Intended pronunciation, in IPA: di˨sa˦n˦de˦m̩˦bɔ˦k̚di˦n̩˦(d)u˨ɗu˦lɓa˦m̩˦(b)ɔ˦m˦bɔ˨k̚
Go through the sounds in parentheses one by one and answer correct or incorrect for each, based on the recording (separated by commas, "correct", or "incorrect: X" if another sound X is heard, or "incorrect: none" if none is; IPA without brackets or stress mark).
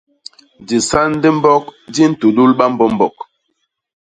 incorrect: t, correct